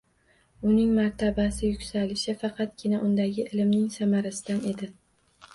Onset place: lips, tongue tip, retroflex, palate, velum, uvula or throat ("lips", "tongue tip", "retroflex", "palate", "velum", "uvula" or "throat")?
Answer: tongue tip